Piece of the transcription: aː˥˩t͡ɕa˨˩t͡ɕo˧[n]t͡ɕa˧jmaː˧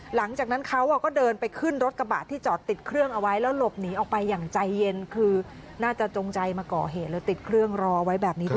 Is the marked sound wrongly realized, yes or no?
yes